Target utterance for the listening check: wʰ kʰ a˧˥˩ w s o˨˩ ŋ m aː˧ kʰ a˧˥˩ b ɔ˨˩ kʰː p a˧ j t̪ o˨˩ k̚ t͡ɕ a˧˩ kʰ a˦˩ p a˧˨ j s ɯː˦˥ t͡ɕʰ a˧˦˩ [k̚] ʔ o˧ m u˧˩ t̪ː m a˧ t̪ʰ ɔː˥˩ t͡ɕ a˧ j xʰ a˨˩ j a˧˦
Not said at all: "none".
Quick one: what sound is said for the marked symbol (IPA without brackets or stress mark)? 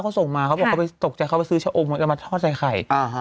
none